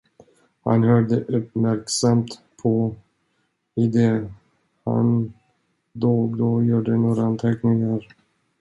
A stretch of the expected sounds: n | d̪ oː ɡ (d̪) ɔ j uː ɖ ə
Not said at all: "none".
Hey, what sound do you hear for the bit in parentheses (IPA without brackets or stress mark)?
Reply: d̪